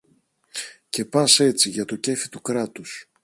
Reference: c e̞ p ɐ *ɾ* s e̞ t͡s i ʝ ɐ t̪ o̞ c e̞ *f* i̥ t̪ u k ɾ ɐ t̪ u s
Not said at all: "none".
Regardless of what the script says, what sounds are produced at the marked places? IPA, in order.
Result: none, f

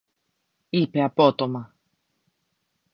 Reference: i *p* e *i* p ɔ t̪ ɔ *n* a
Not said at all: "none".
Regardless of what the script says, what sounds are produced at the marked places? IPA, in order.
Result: p, a, m

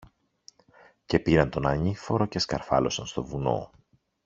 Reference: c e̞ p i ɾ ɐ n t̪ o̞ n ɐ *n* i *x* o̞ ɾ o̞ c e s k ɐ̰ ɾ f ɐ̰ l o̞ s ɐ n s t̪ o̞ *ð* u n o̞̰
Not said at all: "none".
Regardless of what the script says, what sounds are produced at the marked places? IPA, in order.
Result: ɲ, f, v

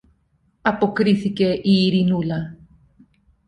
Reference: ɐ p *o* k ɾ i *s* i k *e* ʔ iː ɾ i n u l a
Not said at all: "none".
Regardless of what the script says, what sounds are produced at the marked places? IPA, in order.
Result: o, θ, e

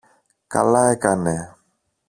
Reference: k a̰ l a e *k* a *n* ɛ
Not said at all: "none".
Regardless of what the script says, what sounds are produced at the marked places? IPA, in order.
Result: k, n

